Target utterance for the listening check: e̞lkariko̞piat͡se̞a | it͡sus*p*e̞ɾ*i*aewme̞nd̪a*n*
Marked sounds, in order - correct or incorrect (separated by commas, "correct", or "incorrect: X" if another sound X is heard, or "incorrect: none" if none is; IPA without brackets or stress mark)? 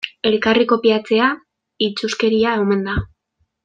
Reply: incorrect: k, correct, incorrect: none